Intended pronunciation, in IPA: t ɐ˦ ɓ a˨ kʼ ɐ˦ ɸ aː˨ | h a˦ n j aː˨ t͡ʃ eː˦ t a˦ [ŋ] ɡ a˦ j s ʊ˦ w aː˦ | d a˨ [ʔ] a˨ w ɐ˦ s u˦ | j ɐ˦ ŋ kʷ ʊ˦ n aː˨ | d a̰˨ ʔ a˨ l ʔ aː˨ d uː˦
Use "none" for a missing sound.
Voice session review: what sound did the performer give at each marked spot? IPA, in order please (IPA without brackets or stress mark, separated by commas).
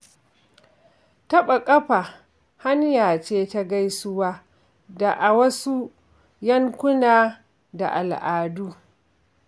none, ʔ